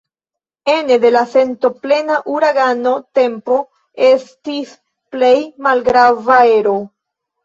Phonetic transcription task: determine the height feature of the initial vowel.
mid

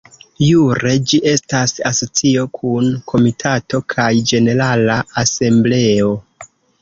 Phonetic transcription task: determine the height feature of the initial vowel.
high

